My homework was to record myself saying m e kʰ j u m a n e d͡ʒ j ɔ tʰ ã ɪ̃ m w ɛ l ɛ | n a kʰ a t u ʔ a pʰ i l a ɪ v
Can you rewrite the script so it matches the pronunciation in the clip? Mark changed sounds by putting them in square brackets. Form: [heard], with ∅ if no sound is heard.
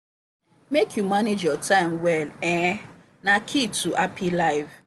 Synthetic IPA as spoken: m e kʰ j u m a n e d͡ʒ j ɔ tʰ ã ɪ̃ m w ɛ l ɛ | n a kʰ [i] t u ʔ a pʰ i l a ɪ v